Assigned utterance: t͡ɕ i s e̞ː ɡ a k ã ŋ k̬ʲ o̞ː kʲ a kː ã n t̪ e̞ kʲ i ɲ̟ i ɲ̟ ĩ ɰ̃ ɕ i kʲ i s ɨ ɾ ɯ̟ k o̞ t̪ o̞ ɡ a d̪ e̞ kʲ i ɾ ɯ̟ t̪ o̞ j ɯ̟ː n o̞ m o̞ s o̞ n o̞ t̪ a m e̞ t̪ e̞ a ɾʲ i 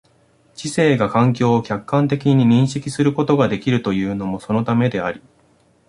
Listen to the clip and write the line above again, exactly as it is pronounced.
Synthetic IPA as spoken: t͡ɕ i s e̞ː ɡ a k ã ŋ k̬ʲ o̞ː kʲ a kː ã n t̪ e̞ kʲ i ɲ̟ i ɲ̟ ĩ ɰ̃ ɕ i kʲ i s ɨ ɾ ɯ̟ k o̞ t̪ o̞ ɡ a d̪ e̞ kʲ i ɾ ɯ̟ t̪ o̞ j ɯ̟ː n o̞ m o̞ s o̞ n o̞ t̪ a m e̞ d̪ e̞ a ɾʲ i